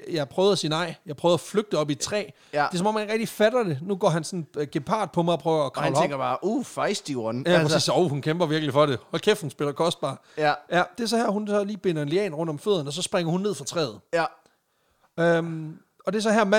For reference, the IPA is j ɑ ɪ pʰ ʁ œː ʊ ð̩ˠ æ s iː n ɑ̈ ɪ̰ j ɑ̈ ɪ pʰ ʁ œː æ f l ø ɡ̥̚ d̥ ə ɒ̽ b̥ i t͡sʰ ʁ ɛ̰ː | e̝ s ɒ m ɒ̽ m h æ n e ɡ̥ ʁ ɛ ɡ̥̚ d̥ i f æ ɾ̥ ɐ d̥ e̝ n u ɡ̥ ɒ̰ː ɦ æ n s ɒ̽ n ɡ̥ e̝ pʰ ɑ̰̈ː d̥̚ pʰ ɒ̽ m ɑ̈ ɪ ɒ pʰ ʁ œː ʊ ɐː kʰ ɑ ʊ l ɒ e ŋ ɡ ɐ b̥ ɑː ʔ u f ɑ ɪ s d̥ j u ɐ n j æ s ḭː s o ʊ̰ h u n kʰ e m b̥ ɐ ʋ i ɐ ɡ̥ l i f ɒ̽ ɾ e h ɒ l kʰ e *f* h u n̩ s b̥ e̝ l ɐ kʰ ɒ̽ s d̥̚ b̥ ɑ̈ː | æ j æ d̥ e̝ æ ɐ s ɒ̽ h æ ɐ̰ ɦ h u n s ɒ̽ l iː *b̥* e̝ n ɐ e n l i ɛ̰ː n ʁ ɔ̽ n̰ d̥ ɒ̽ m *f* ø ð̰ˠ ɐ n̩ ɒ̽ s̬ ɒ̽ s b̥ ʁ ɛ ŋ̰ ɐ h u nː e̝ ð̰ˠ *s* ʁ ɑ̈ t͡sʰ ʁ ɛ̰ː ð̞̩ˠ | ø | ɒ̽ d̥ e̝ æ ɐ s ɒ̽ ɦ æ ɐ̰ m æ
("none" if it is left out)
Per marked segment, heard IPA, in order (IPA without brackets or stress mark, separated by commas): f, b̥, f, f